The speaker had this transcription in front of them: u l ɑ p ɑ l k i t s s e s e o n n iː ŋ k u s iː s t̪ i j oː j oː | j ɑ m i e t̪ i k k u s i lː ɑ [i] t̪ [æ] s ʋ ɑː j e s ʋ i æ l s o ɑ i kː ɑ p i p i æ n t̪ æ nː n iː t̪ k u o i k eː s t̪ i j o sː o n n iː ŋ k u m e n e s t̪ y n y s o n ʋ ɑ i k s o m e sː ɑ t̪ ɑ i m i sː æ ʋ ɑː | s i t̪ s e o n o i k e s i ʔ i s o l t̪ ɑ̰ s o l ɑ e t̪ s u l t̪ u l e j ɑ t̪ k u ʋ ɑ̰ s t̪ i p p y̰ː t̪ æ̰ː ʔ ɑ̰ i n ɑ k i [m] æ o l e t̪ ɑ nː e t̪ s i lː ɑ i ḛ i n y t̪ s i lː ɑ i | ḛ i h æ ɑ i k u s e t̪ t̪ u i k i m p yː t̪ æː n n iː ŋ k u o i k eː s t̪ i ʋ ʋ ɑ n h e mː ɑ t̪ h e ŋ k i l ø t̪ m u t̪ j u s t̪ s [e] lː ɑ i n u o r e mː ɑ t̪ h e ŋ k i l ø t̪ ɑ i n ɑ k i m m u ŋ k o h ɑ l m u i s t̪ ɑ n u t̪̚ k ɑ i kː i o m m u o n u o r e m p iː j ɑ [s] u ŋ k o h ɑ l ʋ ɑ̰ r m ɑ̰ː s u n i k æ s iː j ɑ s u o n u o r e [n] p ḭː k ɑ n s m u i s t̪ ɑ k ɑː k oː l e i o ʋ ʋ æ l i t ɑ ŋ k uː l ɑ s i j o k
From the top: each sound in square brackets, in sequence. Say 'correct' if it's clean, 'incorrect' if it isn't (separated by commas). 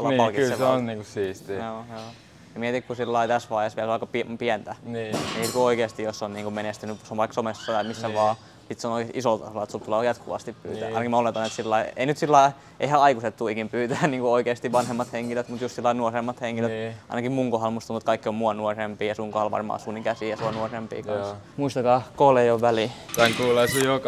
correct, correct, correct, incorrect, correct, incorrect